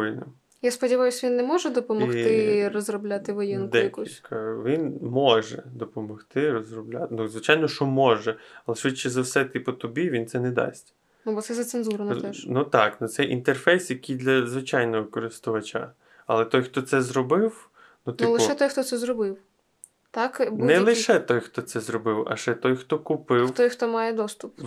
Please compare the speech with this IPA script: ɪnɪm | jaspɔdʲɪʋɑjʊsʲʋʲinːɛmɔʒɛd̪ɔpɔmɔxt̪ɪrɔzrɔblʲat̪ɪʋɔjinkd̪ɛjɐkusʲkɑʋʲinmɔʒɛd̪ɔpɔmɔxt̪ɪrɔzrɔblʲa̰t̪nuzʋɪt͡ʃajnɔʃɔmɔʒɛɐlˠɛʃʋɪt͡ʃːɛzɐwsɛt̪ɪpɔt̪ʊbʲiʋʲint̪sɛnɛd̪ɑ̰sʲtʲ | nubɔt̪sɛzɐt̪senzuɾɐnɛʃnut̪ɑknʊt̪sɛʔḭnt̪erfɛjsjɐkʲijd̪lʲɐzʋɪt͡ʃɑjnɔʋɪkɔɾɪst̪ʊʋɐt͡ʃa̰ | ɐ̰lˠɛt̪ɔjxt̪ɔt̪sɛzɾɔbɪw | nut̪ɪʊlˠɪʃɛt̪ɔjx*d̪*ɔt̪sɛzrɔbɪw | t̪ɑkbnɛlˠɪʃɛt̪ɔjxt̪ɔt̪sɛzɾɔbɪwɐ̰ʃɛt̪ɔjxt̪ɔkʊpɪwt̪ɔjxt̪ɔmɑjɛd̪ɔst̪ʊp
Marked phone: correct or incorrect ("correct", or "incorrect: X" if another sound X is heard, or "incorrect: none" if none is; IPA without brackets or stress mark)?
incorrect: t̪